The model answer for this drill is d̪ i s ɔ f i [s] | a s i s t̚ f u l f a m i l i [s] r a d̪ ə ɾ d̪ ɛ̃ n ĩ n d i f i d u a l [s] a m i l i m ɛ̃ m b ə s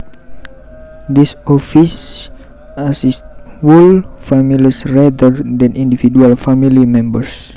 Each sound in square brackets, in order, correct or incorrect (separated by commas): correct, correct, incorrect